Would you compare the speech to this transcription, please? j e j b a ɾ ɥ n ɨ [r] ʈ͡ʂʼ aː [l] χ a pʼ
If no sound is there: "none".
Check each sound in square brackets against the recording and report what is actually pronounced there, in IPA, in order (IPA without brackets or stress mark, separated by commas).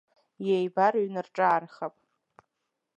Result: r, r